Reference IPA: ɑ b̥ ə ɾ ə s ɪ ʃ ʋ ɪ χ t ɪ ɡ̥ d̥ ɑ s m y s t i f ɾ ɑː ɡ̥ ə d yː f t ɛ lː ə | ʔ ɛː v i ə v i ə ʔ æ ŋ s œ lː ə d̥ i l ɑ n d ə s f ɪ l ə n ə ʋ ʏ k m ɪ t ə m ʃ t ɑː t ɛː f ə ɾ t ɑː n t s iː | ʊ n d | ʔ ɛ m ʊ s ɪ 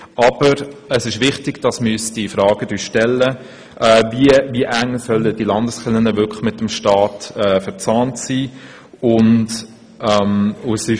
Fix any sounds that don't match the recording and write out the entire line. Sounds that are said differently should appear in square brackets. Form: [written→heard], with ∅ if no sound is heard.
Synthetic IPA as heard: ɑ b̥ ə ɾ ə s ɪ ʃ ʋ ɪ χ t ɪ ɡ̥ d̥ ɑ s m y s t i f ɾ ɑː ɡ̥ ə d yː [f→ʃ] t ɛ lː ə | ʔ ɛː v i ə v i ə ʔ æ ŋ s œ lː ə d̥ i l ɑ n d ə s [f→χ] ɪ l ə n ə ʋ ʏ k m ɪ t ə m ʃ t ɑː t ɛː f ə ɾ [t→t͡s] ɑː n t s iː | ʊ n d | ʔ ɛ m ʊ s ɪ